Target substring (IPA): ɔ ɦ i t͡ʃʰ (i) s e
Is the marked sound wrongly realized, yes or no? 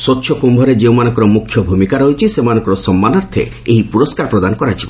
no